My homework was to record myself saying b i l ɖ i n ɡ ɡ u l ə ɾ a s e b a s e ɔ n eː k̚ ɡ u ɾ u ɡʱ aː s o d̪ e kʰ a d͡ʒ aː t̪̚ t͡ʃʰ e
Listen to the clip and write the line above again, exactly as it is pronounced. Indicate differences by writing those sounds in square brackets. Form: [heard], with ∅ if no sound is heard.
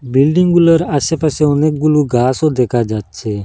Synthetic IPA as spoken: b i l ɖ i [ŋ] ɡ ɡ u l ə ɾ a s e [p] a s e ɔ n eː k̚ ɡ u [l] u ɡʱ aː s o d̪ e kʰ a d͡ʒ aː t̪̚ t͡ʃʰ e